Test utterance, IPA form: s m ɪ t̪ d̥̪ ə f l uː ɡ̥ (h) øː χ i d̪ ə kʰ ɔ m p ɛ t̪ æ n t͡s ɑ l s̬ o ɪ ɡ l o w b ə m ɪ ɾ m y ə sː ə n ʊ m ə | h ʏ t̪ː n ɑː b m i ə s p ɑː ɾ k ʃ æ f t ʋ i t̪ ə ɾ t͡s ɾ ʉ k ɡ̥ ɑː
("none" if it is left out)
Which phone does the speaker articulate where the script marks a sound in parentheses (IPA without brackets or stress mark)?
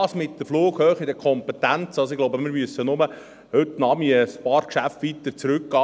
h